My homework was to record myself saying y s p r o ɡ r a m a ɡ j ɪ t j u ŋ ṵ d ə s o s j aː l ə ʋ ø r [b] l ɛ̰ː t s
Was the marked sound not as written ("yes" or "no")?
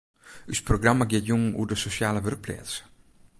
yes